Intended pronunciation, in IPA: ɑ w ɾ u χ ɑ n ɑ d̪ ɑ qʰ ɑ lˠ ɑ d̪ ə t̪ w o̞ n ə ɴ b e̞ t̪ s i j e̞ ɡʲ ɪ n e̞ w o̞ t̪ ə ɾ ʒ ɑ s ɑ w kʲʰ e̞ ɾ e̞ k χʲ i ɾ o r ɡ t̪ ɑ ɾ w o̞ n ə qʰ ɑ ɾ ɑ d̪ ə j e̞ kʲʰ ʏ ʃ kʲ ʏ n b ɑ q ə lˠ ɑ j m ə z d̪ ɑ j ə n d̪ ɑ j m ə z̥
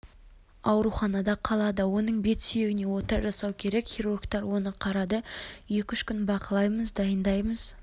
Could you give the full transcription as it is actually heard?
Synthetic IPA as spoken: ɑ w ɾ u χ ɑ n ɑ d̪ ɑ qʰ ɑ lˠ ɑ d̪ ə w o̞ n ə ɴ b e̞ t̪ s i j e̞ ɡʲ ɪ n e̞ w o̞ t̪ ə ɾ ʒ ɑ s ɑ w kʲʰ e̞ ɾ e̞ k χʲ i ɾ u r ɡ t̪ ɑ ɾ w o̞ n ə qʰ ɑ ɾ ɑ d̪ ə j e̞ kʲ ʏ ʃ kʲ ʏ n b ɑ q ə lˠ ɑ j m ə z d̪ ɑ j ə n d̪ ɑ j m ə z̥

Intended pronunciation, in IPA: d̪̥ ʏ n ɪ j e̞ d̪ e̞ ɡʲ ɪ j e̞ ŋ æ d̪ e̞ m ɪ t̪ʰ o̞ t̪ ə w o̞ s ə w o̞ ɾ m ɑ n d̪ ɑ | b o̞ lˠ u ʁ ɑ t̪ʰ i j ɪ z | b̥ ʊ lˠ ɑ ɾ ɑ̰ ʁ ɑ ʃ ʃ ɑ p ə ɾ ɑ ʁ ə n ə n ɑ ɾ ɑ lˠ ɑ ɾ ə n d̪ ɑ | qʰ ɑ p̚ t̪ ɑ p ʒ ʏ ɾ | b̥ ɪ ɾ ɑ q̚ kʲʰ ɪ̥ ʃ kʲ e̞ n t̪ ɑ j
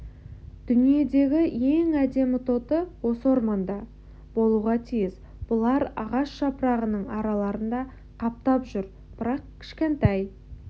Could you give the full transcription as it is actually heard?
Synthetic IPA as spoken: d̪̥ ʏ n i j e̞ d̪ e̞ ɡʲ ɪ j e̞ ŋ æ d̪ e̞ m ɪ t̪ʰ o̞ t̪ ə w o̞ s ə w o̞ ɾ m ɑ n d̪ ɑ | b o̞ lˠ u ʁ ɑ t̪ʰ i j ɪ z | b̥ ʊ lˠ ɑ ɾ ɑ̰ ʁ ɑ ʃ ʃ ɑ p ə ɾ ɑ ʁ ə n ə ɴ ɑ ɾ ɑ lˠ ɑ ɾ ə n d̪ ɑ | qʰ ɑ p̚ t̪ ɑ p ʒ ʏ ɾ | b̥ ɪ ɾ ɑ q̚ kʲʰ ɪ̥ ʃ kʲ e̞ n t̪ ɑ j

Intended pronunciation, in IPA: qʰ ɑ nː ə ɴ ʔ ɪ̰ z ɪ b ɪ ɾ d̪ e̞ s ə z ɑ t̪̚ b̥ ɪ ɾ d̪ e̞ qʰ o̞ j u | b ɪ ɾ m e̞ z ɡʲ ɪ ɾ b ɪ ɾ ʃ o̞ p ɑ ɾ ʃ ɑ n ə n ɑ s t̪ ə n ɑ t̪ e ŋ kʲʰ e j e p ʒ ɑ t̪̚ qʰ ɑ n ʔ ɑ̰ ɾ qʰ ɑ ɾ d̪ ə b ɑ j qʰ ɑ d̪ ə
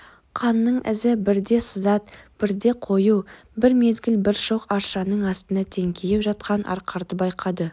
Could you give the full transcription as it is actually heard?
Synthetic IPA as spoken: qʰ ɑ nː ə ɴ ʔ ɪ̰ z ɪ b ɪ ɾ d̪ e̞ s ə z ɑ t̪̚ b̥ ɪ ɾ d̪ e̞ qʰ o̞ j u | b ɪ ɾ m e̞ z ɡʲ ɪ l b ɪ ɾ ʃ o̞ q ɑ ɾ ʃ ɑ n ə ɴ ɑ s t̪ ə n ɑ t̪ʰ e ŋ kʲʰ e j e p ʒ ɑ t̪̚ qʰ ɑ n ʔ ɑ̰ ɾ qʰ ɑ ɾ d̪ ə b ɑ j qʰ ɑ d̪ ə

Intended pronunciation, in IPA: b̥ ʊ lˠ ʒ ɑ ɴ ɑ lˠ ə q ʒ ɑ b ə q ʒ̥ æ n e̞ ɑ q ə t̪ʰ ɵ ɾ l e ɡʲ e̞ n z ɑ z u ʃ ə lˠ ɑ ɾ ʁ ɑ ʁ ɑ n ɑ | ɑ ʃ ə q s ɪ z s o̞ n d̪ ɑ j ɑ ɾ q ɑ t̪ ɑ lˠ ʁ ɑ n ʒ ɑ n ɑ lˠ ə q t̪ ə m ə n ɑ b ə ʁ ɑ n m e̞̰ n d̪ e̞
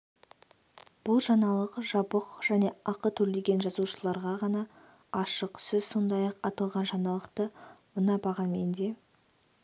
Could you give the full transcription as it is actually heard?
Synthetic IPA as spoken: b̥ ʊ lˠ ʒ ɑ n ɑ lˠ ə q ʒ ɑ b ə q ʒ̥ æ n e̞ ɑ q ə t̪ʰ ɵ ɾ l e ɡʲ e̞ n ʒ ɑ z u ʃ ə lˠ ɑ ɾ ʁ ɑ ʁ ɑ n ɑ | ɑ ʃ ə q s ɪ z s o̞ n d̪ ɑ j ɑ q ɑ t̪ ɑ lˠ ʁ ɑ n ʒ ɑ n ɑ lˠ ə q t̪ ə m ə n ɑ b ɑ ʁ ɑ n m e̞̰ n d̪ e̞

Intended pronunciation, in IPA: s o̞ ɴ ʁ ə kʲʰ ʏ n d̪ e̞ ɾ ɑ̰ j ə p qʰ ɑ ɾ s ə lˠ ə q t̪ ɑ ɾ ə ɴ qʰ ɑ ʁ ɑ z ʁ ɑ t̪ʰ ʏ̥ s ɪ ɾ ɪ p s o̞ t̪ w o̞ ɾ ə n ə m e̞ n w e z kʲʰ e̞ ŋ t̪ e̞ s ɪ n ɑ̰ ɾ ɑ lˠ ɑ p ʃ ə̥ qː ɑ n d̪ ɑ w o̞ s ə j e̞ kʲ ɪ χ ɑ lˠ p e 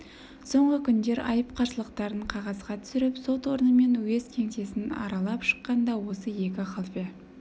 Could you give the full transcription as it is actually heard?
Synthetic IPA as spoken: s o̞ ɴ ʁ ə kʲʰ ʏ n d̪ e̞ ɾ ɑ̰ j ə p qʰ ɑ ɾ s ə lˠ ə q t̪ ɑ ɾ ə ɴ qʰ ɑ ʁ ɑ z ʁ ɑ t̪ʰ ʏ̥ s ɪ ɾ ɪ p s o̞ t̪ w o̞ ɾ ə n ə m e̞ n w e z kʲʰ e̞ ŋ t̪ e̞ s ɪ n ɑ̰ ɾ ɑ lˠ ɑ p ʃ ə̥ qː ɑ n d̪ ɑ w o̞ s ə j e̞ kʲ ɪ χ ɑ lˠ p e

